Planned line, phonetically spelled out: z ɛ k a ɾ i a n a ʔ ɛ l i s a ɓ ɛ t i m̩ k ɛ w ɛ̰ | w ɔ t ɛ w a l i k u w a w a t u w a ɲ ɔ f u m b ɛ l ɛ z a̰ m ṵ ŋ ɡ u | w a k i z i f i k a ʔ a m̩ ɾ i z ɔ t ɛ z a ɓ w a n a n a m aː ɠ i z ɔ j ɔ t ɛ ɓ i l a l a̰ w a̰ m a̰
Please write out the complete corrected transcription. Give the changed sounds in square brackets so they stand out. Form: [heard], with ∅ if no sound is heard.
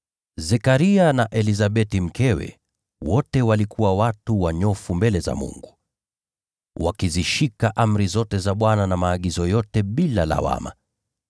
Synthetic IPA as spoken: z ɛ k a ɾ i a n a ʔ ɛ l i [z] a ɓ ɛ t i m̩ k ɛ w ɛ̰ | w ɔ t ɛ w a l i k u w a w a t u w a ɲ ɔ f u m b ɛ l ɛ z a̰ m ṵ ŋ ɡ u | w a k i z i [ʃ] i k a ʔ a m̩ ɾ i z ɔ t ɛ z a ɓ w a n a n a m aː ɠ i z ɔ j ɔ t ɛ ɓ i l a l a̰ w a̰ m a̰